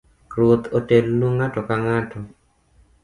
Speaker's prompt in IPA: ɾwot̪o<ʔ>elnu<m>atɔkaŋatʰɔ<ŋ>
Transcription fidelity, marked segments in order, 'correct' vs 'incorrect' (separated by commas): incorrect, incorrect, incorrect